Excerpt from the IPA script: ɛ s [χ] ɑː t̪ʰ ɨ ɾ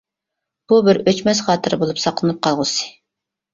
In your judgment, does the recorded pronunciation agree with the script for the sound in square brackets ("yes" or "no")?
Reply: yes